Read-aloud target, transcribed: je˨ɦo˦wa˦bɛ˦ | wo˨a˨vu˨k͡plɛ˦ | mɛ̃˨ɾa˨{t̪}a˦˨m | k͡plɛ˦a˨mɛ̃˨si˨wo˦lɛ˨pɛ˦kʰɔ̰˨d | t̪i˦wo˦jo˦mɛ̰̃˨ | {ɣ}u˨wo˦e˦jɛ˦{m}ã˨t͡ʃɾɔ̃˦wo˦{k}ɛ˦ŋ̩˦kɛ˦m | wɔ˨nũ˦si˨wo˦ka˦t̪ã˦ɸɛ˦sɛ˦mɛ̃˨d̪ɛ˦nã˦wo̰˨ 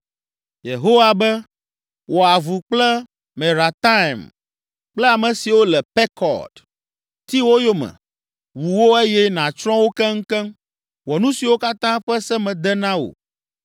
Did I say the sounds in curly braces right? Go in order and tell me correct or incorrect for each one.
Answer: correct, incorrect: w, incorrect: n, correct

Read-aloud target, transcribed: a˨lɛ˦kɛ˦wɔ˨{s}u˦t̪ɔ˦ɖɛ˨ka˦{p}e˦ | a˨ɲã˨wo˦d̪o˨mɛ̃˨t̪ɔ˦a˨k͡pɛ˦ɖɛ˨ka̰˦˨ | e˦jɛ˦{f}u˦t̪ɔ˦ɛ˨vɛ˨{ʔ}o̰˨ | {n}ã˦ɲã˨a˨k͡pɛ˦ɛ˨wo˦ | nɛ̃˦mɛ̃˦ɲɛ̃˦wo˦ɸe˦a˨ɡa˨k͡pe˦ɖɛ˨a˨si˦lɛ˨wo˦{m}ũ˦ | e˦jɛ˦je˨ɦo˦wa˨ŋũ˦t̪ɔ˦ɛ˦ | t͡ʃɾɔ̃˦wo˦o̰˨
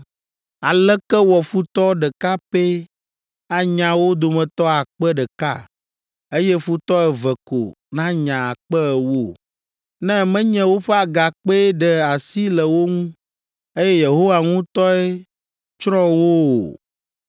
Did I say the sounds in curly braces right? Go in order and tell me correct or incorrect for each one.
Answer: incorrect: f, correct, correct, incorrect: k, correct, incorrect: ŋ

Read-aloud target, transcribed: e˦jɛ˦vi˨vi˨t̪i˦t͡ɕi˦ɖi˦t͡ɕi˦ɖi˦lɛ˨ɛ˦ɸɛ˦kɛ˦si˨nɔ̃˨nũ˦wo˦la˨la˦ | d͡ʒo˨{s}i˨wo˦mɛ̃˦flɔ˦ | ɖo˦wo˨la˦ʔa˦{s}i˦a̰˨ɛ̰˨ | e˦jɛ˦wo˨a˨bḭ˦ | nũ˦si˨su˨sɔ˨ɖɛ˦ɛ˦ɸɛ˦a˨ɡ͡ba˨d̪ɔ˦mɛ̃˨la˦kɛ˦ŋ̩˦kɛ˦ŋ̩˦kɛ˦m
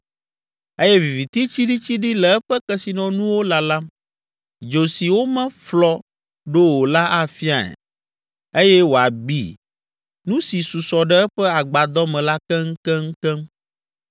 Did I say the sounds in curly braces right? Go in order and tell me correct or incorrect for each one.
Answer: correct, incorrect: f

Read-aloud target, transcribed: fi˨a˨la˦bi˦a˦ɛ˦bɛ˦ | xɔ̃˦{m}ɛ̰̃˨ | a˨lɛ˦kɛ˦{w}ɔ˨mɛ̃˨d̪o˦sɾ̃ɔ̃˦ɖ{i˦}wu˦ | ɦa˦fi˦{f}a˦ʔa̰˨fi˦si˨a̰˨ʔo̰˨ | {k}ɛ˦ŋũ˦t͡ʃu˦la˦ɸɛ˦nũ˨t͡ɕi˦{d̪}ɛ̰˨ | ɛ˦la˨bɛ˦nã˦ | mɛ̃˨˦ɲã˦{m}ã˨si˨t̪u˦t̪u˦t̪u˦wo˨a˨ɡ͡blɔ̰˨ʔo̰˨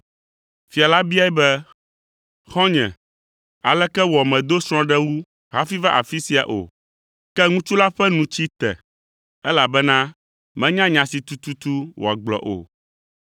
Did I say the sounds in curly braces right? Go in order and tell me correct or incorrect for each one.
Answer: incorrect: ɲ, correct, incorrect: ɛ˦, incorrect: v, correct, incorrect: t̪, incorrect: ɲ

